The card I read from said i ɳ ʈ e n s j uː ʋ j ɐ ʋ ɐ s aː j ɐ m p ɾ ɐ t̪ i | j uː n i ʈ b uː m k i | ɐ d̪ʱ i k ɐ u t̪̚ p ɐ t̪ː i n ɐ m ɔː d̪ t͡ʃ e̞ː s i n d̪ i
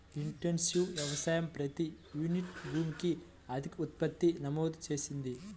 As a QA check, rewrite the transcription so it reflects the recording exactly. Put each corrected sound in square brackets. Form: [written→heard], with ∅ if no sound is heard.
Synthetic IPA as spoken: i ɳ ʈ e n s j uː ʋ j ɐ ʋ ɐ s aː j ɐ m p ɾ ɐ t̪ i | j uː n i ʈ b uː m k i | ɐ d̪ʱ i k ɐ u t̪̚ p ɐ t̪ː i n ɐ m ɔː d̪ t͡ʃ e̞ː s i n d̪ i

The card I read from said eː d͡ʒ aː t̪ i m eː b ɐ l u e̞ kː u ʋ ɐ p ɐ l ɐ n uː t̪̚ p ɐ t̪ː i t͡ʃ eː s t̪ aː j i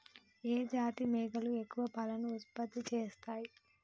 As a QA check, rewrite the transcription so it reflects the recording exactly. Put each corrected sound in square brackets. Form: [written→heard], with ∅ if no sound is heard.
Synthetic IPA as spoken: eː d͡ʒ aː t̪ i m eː [b→ɡ] ɐ l u e̞ kː u ʋ ɐ p ɐ l ɐ n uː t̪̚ p ɐ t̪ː i t͡ʃ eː s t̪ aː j i

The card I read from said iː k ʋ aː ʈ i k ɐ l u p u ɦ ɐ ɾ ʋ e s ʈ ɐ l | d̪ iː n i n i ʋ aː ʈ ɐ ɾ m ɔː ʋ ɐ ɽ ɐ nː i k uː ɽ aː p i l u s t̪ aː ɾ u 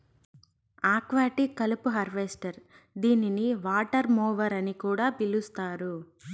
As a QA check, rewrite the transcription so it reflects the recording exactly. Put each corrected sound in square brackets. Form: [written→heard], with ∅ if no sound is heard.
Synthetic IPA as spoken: [iː→aː] k ʋ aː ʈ i k ɐ l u p u ɦ ɐ ɾ ʋ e s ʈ ɐ [l→ɾ] | d̪ iː n i n i ʋ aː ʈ ɐ ɾ m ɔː ʋ ɐ [ɽ→ɾ] ɐ [nː→n] i k uː ɽ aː p i l u s t̪ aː ɾ u

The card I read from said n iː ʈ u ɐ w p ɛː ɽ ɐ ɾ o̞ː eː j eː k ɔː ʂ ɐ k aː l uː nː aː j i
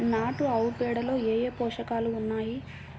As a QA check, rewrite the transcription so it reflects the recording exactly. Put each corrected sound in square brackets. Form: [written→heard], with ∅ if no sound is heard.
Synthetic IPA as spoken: n [iː→aː] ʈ u ɐ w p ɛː ɽ ɐ [ɾ→l] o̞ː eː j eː [k→p] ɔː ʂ ɐ k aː l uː nː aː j i

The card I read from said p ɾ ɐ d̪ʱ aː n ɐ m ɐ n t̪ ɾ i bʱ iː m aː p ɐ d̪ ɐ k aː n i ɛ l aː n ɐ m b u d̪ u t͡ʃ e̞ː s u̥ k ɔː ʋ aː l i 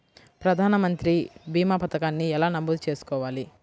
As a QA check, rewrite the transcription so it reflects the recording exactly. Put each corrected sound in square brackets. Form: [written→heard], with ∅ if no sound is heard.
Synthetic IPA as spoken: p ɾ ɐ d̪ʱ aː n ɐ m ɐ n t̪ ɾ i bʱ iː m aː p ɐ [d̪→t̪] ɐ k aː [n→nː] i ɛ l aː n ɐ m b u d̪ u t͡ʃ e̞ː s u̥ k ɔː ʋ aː l i

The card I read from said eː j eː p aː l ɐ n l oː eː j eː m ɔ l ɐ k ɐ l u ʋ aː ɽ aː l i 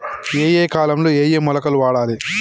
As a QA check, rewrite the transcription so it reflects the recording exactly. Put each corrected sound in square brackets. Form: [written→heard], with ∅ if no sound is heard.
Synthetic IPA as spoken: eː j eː [p→k] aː l ɐ [n→m] l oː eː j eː m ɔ l ɐ k ɐ l u ʋ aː ɽ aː l i

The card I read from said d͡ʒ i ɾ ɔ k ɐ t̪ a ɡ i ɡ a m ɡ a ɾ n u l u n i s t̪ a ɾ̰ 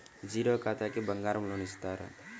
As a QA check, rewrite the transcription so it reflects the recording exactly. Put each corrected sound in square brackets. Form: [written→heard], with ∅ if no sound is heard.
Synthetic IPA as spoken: d͡ʒ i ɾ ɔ k [ɐ→a] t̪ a [ɡ→k] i [ɡ→b] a [m→ŋ] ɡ a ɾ [n→m] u l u n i s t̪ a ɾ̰

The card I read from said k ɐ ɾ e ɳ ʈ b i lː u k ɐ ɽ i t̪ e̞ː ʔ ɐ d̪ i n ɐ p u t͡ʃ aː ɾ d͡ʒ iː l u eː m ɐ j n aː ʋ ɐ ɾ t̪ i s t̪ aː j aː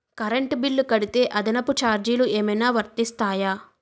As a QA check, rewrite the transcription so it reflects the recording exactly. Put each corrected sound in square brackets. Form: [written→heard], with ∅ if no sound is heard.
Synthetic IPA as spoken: k ɐ ɾ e ɳ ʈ b i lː u k ɐ ɽ i t̪ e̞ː ʔ ɐ d̪ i n ɐ p u t͡ʃ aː ɾ d͡ʒ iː l u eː m ɐ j n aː ʋ ɐ ɾ t̪ i s t̪ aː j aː

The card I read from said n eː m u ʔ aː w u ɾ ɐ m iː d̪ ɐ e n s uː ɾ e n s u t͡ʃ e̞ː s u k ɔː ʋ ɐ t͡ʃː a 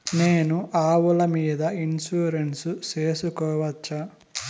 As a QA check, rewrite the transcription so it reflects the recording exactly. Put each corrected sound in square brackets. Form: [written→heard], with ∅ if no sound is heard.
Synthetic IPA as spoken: n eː [m→n] u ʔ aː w u [ɾ→l] ɐ m iː d̪ ɐ [e→i] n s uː ɾ e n s u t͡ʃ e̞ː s u k ɔː ʋ ɐ t͡ʃː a

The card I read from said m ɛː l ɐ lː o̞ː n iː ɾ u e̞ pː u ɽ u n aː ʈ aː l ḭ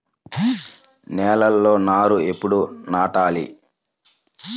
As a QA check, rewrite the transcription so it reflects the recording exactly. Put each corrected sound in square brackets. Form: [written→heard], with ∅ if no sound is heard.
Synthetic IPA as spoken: [m→n] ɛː l ɐ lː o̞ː n [iː→aː] ɾ u e̞ pː u ɽ u n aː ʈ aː l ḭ

